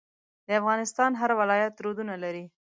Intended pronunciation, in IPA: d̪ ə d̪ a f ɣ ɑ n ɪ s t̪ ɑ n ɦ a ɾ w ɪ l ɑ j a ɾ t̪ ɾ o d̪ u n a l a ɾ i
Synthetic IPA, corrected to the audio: d̪ ə a f ɣ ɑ n ɪ s t̪ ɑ n ɦ a ɾ w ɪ l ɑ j a t̪ ɾ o d̪ u n a l a ɾ i